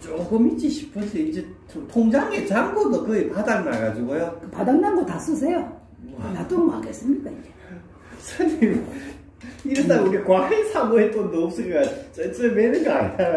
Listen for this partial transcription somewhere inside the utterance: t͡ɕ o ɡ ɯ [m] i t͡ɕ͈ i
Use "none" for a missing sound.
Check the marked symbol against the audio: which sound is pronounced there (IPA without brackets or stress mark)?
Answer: m